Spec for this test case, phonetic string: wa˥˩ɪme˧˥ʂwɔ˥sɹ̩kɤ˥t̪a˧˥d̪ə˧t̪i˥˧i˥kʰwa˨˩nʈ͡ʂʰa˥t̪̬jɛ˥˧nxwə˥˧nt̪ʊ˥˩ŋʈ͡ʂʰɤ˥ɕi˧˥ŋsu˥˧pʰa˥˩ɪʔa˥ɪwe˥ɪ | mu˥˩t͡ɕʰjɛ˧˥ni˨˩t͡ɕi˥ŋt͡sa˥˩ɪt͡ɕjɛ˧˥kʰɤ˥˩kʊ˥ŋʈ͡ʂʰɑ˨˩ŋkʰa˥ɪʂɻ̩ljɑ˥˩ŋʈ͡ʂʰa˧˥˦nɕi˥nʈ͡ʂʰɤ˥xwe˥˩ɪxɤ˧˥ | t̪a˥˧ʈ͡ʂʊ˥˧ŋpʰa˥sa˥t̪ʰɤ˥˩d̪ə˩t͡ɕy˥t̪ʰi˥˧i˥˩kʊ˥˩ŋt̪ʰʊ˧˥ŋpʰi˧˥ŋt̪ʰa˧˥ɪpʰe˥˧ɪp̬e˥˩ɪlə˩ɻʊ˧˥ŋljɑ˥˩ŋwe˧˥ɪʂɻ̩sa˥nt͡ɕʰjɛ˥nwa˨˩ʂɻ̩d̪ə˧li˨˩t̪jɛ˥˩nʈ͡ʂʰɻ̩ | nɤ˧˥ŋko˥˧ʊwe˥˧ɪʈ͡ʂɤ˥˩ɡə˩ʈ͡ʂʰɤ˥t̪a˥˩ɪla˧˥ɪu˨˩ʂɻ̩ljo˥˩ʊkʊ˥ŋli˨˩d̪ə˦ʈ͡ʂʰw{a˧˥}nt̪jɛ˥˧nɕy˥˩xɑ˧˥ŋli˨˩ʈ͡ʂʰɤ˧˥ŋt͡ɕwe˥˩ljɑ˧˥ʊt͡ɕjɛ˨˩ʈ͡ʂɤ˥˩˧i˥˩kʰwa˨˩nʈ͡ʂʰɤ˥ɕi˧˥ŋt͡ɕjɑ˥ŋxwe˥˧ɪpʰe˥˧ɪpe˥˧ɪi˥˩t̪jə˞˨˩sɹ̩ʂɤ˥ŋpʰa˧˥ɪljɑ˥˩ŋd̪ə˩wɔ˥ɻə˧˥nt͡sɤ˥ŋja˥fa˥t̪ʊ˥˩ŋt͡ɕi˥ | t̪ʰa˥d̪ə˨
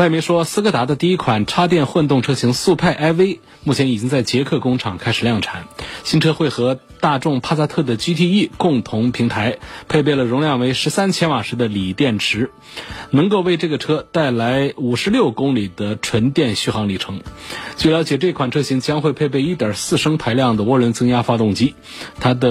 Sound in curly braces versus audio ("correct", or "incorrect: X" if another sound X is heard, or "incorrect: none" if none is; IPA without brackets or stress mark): incorrect: ə˧˥